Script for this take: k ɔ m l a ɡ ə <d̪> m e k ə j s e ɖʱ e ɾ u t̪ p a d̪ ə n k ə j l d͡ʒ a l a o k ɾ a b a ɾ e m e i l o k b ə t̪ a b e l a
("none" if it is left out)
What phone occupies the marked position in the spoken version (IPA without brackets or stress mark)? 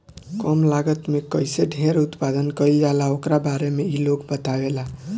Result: t̪